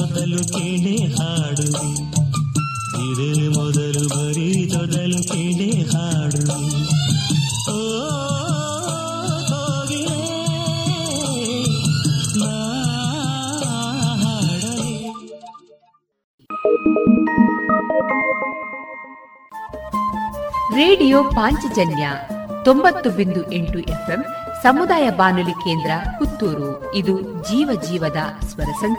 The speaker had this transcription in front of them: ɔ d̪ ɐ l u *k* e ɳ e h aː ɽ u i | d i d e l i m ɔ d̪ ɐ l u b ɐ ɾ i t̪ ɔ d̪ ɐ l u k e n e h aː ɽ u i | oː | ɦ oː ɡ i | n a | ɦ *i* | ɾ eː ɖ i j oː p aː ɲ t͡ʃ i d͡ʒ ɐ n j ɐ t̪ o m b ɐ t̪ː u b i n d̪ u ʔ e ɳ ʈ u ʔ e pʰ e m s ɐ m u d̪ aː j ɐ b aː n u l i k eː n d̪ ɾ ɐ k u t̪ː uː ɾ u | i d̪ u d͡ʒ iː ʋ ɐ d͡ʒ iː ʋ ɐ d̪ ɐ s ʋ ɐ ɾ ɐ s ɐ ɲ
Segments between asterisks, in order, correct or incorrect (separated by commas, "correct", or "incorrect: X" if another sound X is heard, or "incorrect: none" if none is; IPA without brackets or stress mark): correct, incorrect: a